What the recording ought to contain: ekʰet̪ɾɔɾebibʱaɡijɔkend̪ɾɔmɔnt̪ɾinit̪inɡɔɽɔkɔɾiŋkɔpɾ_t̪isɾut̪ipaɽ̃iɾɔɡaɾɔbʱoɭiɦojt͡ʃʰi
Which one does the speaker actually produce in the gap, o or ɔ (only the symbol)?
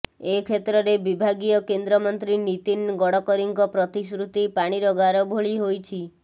ɔ